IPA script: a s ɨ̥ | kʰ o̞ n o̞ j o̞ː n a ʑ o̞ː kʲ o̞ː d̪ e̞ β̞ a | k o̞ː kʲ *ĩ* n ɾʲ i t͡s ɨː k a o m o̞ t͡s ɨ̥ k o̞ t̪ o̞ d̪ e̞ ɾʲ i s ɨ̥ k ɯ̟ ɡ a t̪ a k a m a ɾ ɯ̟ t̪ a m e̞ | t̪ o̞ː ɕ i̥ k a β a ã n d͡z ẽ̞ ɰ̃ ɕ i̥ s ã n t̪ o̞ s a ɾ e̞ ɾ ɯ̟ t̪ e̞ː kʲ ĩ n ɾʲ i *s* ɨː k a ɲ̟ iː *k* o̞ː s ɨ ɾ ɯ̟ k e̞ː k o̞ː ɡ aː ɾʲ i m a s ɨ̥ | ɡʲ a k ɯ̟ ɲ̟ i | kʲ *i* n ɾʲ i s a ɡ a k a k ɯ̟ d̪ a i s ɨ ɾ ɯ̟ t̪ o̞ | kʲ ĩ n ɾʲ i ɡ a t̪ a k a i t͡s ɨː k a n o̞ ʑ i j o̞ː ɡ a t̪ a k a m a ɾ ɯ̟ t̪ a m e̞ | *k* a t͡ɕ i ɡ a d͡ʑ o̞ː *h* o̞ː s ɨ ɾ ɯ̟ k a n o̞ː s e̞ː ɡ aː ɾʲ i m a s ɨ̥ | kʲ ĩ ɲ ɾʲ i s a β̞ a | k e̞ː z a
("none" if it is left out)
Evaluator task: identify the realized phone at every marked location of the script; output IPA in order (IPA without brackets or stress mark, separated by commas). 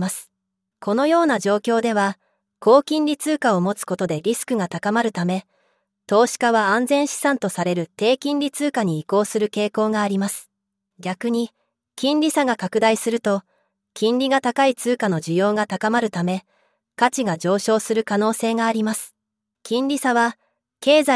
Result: ĩ, t͡s, k, ĩ, k, ɕ